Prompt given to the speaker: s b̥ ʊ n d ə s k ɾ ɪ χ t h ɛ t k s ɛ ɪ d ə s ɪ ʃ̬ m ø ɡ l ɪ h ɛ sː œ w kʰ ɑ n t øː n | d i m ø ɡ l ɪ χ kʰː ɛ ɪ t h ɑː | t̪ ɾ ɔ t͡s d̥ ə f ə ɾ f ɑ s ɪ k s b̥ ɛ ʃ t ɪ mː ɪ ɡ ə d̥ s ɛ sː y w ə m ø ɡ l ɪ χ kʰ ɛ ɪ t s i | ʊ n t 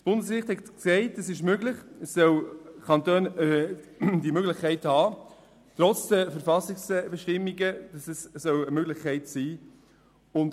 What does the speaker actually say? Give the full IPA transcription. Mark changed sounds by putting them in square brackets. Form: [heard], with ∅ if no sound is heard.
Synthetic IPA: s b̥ ʊ n d ə s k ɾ ɪ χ t h ɛ t k s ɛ ɪ [t] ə s ɪ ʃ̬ m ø ɡ l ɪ [χ] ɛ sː œ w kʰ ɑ n t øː n | d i m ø ɡ l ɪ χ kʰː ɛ ɪ t h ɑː | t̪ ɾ ɔ t͡s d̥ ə f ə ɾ f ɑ s ɪ k s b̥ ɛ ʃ t ɪ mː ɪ ɡ ə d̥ s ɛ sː [œ] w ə m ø ɡ l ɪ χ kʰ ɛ ɪ t s [iː] | ʊ n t